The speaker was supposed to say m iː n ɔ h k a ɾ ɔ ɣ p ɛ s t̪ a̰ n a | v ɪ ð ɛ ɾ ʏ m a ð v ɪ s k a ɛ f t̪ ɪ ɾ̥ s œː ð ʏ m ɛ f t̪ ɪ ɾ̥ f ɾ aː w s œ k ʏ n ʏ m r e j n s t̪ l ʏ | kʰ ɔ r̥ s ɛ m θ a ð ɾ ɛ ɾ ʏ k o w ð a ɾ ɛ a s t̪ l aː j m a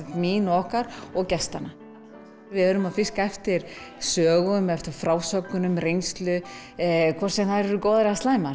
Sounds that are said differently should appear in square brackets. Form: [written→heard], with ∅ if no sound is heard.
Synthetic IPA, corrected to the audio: m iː n ɔ h k a ɾ ɔ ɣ [p→c] ɛ s t̪ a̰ n a | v ɪ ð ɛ ɾ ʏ m a ð [v→f] ɪ s k a ɛ f t̪ ɪ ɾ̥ s œː [ð→ɣ] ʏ m ɛ f t̪ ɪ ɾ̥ f ɾ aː w s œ k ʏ n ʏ m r e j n s t̪ l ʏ | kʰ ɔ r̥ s ɛ m θ a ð ɾ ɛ ɾ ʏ k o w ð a ɾ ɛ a s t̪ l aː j m a

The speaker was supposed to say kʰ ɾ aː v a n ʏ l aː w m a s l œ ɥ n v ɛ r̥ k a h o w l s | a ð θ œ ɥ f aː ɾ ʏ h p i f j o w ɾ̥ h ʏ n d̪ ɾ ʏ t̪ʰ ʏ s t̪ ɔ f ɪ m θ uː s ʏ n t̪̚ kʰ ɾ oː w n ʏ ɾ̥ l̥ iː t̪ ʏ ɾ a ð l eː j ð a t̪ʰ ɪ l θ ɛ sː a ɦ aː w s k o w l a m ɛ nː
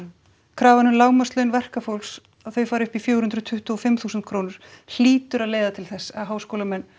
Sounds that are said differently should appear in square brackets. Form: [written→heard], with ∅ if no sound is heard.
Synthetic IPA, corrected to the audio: kʰ ɾ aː v a n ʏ l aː w m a s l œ ɥ n v ɛ r̥ k a [h→f] o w l s | a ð θ œ ɥ f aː ɾ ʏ h p i f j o w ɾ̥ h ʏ n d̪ ɾ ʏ t̪ʰ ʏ [s→h] t̪ ɔ f ɪ m θ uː s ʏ n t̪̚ kʰ ɾ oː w n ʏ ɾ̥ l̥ iː t̪ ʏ ɾ a ð l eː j ð a t̪ʰ ɪ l θ ɛ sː a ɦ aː w s k o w l a m ɛ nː

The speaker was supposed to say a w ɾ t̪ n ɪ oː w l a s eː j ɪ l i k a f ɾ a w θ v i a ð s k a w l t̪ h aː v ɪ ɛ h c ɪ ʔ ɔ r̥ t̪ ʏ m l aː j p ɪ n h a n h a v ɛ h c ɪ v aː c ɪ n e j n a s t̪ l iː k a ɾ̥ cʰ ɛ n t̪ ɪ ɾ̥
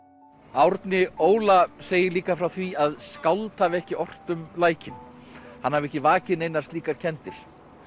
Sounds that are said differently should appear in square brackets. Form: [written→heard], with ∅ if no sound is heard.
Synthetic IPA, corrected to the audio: a w ɾ t̪ n ɪ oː w l a s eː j ɪ l [i→iː] k a f ɾ a w θ v i a ð s k a w l t̪ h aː v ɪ ɛ h c ɪ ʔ ɔ r̥ t̪ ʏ m l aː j [p→c] ɪ n h a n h a v ɛ h c ɪ v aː c ɪ n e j n a s t̪ l iː k a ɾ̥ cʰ ɛ n t̪ ɪ ɾ̥

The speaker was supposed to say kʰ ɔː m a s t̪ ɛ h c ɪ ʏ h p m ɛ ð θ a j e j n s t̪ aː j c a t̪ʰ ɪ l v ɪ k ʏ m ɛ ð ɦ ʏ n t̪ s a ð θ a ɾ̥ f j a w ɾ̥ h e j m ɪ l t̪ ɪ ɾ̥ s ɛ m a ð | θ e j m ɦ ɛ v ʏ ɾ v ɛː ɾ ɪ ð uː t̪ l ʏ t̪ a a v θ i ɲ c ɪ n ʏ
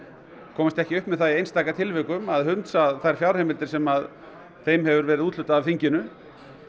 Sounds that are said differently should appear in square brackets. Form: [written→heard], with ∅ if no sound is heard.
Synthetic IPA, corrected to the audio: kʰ ɔː m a s t̪ ɛ h c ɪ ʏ h p m ɛ ð θ a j e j n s t̪ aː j [c→k] a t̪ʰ ɪ l v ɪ k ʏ m [ɛ→a] ð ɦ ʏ n t̪ s a ð θ a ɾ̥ f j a w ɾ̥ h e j m ɪ l t̪ ɪ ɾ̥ s ɛ m a ð | θ e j m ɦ ɛ v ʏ ɾ v ɛː ɾ ɪ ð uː t̪ l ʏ t̪ a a v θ i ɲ c ɪ n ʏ

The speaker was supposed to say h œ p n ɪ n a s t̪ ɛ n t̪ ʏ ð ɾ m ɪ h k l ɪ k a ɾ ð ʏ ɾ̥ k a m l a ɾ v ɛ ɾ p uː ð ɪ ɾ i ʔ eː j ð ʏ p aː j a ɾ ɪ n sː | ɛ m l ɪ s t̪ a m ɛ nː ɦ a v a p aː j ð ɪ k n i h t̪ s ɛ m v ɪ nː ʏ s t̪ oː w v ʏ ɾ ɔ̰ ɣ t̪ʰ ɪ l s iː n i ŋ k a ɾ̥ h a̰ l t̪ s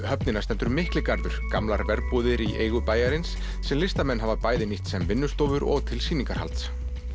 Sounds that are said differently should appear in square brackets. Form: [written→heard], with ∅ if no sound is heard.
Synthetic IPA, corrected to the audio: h œ p n ɪ n a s t̪ ɛ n t̪ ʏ [ð→∅] ɾ m ɪ h k l ɪ k a ɾ ð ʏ ɾ̥ k a m l a ɾ v ɛ ɾ p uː ð ɪ ɾ i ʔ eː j [ð→ɣ] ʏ p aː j a ɾ ɪ n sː | ɛ m l ɪ s t̪ a m ɛ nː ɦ a v a p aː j ð ɪ [k→∅] n i h t̪ s ɛ m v ɪ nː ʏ s t̪ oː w v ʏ ɾ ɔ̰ ɣ t̪ʰ ɪ l s iː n i ŋ k a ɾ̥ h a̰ l t̪ s

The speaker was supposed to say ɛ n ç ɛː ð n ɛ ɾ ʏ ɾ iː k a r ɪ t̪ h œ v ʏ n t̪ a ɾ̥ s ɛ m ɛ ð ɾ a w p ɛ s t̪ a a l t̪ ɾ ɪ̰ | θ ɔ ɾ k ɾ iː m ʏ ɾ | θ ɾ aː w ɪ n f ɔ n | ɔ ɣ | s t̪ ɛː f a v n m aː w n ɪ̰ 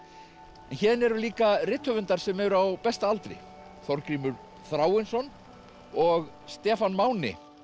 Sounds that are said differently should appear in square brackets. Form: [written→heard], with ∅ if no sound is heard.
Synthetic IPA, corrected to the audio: ɛ n ç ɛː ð n ɛ ɾ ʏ [ɾ→l] iː k a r ɪ t̪ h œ v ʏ n t̪ a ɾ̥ s ɛ m ɛ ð ɾ a w p ɛ s t̪ a a l t̪ ɾ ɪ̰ | θ ɔ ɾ k ɾ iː m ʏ ɾ | θ ɾ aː w ɪ n [f→s] ɔ n | ɔ ɣ | s t̪ ɛː f a [v→∅] n m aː w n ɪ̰

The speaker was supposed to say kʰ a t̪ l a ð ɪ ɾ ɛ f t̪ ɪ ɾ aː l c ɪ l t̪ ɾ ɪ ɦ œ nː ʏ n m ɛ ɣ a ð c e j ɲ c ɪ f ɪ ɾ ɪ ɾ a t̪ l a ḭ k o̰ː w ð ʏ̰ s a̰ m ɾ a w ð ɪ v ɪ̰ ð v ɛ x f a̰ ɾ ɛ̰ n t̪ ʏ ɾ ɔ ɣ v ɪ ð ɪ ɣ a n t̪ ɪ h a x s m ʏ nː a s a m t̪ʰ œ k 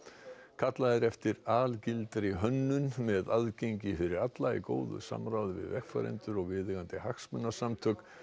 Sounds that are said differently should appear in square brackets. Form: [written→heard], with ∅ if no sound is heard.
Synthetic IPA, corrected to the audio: kʰ a t̪ l a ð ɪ ɾ ɛ f t̪ ɪ ɾ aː l c ɪ l t̪ ɾ ɪ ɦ œ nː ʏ n m ɛ [ɣ→ð] a ð c e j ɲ c ɪ f ɪ ɾ ɪ ɾ a t̪ l a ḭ k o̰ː w ð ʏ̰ s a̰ m ɾ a w ð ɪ v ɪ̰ ð v ɛ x f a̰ ɾ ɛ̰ n t̪ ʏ ɾ ɔ ɣ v ɪ ð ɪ ɣ a n t̪ ɪ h a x s m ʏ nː a s a m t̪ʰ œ k

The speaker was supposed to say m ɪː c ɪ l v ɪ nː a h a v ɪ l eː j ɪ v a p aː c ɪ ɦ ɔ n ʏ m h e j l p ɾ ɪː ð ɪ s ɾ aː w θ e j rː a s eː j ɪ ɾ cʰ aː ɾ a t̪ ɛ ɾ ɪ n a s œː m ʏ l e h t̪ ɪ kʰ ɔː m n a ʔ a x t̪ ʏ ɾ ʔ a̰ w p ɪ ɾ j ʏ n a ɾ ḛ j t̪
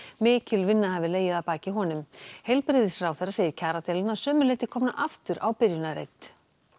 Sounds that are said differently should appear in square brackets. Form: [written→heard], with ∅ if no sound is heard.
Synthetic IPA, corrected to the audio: m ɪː c ɪ l v ɪ nː a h a v ɪ l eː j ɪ [v→ð] a p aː c ɪ ɦ ɔ n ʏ m h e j l p ɾ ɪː ð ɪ s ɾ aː w θ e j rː a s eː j ɪ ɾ cʰ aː ɾ a t̪ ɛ [ɾ→l] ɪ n a s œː m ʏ l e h t̪ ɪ kʰ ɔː m n a ʔ a [x→f] t̪ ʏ ɾ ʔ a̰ w p ɪ ɾ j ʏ n a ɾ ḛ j t̪

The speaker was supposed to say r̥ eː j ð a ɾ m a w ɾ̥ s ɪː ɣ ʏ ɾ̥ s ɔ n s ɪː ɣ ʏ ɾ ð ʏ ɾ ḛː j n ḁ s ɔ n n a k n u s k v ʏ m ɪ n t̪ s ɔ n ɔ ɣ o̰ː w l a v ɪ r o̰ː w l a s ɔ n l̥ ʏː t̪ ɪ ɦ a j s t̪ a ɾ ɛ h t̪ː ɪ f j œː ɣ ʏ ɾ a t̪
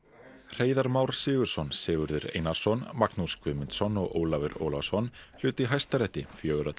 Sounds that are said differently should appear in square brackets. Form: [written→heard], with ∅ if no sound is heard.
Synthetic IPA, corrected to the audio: r̥ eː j ð a ɾ m a w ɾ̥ s ɪː ɣ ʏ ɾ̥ s ɔ n s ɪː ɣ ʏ ɾ ð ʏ ɾ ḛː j n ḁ s ɔ n [n→m] a k n u s k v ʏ m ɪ n t̪ s ɔ n ɔ ɣ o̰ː w l a v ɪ [r→ɾ] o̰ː w l a s ɔ n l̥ ʏː t̪ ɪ ɦ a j s t̪ a ɾ ɛ h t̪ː ɪ f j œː ɣ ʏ ɾ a t̪

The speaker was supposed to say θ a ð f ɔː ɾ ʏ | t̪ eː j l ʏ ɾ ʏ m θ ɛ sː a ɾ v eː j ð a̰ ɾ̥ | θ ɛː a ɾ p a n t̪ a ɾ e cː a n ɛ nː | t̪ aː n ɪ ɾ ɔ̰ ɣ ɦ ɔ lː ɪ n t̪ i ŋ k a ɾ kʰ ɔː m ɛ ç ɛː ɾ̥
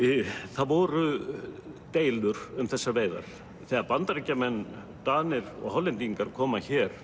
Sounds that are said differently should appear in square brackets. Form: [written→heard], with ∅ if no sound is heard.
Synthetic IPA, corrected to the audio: θ a ð [f→v] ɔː ɾ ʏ | t̪ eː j l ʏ ɾ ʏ m θ ɛ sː a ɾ v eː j ð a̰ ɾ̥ | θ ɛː a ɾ p a n t̪ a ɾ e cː a [n→m] ɛ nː | t̪ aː n ɪ ɾ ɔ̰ ɣ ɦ ɔ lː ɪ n t̪ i ŋ k a ɾ kʰ ɔː m [ɛ→a] ç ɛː ɾ̥

